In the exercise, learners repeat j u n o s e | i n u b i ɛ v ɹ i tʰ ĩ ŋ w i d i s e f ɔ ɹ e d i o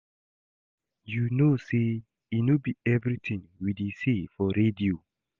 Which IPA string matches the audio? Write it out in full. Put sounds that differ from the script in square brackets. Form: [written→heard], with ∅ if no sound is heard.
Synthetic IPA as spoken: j u n o s e | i n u b i ɛ v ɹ i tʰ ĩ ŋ w i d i s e f ɔ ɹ e d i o